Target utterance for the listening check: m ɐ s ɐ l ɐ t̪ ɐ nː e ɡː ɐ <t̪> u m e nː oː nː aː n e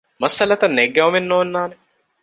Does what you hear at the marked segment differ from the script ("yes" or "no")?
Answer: yes